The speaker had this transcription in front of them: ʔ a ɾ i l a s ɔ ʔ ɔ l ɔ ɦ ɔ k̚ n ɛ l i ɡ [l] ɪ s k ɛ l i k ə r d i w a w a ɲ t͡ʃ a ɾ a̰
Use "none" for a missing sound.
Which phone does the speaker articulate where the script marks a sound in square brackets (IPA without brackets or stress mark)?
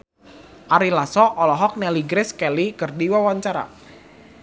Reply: ɾ